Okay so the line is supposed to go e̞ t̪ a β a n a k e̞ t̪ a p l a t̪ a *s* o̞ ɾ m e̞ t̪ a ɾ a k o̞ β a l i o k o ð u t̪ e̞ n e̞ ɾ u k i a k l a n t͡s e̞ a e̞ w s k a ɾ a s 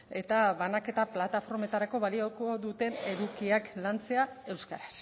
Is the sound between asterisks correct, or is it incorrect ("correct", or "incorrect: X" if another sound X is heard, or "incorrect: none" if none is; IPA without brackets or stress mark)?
incorrect: f